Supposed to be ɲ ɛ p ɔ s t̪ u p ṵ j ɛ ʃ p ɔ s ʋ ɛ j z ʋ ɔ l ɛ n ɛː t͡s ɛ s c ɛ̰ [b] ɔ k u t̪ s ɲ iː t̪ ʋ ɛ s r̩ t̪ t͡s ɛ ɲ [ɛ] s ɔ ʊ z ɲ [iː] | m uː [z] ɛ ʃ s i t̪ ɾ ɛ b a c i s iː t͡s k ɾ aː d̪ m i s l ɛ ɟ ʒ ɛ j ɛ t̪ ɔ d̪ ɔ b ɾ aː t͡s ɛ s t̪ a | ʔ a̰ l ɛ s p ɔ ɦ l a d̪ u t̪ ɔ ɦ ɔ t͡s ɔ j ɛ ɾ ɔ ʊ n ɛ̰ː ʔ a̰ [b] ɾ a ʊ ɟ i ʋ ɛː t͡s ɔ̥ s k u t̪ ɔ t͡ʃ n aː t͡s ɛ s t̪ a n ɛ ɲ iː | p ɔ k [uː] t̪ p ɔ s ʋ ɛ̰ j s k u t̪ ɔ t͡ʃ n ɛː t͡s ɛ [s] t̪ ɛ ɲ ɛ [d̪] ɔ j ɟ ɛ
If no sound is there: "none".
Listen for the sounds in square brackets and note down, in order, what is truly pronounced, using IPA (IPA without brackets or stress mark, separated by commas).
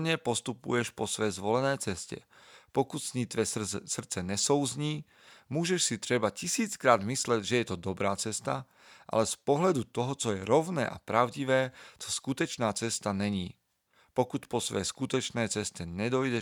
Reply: p, ɛ, iː, ʒ, p, u, s, d̪